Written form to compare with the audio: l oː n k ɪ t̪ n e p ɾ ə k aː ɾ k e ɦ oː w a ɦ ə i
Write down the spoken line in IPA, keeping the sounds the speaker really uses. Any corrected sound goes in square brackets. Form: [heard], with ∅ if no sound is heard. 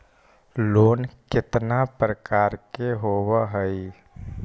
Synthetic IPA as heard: l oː n k ɪ t̪ n [a] p ɾ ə k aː ɾ k e ɦ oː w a ɦ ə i